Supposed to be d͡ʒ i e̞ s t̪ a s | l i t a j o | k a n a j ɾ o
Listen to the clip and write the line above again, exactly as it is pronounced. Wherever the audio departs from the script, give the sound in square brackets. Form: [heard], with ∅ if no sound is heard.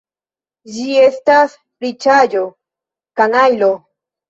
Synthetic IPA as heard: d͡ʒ i e̞ s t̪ a s | [ɾ] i [t͡ʃ] a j o | k a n a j [l] o